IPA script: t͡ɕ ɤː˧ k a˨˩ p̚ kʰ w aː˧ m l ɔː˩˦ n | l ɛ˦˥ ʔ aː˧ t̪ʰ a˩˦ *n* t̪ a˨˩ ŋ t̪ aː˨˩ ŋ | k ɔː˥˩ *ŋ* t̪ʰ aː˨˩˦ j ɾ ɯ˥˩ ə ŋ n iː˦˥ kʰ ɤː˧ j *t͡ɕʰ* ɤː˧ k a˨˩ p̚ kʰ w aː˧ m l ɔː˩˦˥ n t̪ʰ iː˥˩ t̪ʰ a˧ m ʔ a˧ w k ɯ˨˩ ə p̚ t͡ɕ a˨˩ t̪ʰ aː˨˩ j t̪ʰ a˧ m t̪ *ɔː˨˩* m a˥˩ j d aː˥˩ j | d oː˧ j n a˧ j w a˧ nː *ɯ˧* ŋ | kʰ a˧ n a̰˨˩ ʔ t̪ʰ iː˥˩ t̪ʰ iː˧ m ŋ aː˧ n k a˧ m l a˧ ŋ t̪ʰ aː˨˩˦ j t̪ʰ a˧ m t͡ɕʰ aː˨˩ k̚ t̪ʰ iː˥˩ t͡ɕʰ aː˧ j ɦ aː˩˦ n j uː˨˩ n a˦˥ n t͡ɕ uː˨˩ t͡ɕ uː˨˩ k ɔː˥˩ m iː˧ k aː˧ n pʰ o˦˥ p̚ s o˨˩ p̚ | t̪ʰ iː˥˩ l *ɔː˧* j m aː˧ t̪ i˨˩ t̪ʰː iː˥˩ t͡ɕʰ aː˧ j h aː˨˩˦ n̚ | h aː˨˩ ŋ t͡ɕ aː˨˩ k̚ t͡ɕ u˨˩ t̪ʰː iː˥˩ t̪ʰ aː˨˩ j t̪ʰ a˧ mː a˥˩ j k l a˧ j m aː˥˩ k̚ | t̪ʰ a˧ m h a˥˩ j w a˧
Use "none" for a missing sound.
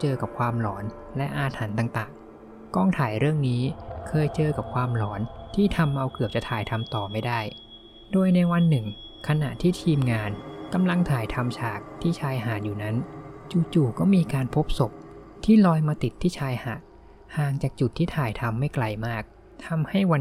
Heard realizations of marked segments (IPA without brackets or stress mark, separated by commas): n, ŋ, t͡ɕ, ɔː˨˩, ɯ˨˩, ɔː˧